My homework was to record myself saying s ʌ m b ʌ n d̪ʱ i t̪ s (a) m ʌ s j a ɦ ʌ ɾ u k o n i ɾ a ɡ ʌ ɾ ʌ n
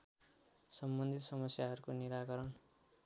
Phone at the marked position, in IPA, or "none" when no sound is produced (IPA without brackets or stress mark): ʌ